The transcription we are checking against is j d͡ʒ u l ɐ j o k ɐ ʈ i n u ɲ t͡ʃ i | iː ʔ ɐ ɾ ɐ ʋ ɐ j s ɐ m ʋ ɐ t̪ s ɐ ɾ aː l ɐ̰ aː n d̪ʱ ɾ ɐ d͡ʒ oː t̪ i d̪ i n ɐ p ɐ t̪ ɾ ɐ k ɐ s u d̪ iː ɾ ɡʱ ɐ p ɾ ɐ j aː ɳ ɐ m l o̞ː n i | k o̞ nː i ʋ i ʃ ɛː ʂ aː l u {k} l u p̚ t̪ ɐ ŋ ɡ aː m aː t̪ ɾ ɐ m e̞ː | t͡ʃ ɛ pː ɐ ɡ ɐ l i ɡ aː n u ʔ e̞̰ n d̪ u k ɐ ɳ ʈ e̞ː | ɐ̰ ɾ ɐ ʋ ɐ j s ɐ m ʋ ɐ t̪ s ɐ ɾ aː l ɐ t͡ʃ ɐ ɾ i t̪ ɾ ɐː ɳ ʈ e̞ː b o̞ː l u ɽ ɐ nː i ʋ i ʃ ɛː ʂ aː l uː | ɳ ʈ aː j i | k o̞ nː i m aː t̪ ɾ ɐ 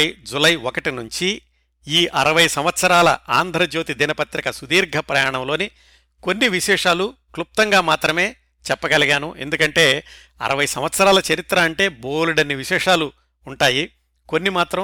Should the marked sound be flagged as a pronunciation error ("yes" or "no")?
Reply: no